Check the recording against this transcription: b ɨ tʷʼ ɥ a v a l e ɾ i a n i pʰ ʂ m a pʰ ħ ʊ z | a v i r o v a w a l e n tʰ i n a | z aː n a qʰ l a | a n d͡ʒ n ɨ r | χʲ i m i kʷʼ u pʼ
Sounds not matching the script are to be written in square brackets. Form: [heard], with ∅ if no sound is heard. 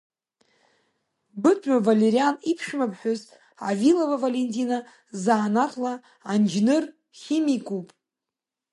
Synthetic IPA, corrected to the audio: b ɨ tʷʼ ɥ a v a l e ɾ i a n i pʰ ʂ m a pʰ ħ ʊ z | a v i [l] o v a [v] a l e n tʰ i n a | z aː n a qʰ l a | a n d͡ʒ n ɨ r | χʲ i m i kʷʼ u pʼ